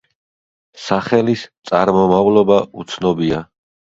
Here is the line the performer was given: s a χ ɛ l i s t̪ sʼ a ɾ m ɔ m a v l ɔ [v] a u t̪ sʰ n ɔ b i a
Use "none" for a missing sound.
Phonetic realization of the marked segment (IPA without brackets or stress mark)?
b